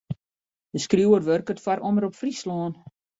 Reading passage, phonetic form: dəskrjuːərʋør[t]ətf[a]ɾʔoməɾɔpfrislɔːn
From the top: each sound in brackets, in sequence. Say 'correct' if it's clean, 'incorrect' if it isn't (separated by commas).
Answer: incorrect, correct